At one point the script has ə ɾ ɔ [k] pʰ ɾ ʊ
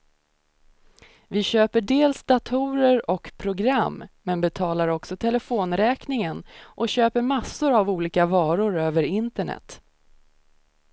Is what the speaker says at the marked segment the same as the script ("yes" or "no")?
yes